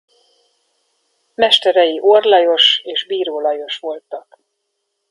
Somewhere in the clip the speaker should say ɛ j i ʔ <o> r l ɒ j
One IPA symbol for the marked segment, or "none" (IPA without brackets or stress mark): o